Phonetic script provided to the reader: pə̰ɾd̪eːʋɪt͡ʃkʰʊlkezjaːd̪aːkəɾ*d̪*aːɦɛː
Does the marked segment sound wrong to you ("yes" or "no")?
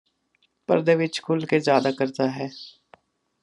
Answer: yes